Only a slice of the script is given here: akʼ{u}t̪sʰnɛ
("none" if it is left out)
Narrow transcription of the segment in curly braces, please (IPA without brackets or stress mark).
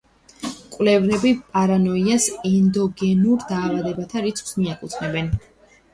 u